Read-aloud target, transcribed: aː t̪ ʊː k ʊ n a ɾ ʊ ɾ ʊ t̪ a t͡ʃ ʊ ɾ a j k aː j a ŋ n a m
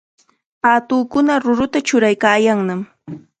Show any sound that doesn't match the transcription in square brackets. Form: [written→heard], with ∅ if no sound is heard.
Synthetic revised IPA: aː t̪ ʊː k ʊ n a ɾ ʊ ɾ ʊ t̪ a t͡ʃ ʊ ɾ a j k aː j a ŋ n a m